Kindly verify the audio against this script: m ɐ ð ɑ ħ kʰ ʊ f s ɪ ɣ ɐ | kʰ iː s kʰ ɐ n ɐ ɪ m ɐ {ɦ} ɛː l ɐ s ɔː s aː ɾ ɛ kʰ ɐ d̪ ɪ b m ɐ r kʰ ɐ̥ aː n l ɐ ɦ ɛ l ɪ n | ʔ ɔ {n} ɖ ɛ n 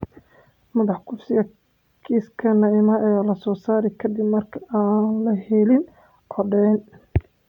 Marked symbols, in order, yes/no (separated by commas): no, no